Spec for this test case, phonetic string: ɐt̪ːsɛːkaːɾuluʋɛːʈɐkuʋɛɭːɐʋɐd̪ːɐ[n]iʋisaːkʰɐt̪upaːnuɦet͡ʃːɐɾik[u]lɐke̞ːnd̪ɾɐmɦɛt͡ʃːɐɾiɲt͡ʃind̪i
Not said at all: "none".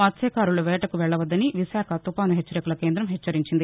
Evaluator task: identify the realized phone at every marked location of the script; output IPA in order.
n, u

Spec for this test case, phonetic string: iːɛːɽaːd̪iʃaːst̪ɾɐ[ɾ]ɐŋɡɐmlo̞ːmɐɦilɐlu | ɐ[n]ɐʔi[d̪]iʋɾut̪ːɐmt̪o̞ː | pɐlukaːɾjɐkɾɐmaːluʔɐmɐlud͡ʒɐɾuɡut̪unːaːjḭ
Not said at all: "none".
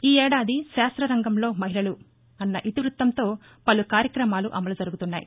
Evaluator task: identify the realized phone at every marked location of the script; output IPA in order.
ɾ, nː, t̪

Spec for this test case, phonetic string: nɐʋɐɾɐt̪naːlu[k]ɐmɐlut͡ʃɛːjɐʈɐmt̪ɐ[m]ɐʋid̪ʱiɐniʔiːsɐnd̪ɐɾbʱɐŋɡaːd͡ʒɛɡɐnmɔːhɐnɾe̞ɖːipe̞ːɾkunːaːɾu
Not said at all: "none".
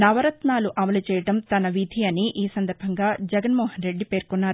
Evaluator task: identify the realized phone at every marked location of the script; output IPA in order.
ʔ, n

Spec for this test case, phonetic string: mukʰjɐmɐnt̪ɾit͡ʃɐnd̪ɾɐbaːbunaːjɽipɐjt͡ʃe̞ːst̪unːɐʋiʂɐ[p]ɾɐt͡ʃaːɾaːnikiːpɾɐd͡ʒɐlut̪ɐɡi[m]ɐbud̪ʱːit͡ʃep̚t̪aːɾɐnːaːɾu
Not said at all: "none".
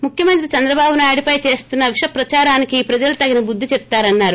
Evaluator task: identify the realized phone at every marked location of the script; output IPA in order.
p, n

